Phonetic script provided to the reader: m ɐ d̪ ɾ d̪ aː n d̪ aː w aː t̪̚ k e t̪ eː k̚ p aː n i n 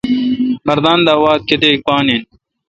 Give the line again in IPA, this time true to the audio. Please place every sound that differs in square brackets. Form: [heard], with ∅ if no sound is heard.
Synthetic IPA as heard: m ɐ [∅] ɾ d̪ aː n d̪ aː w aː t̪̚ k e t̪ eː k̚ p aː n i n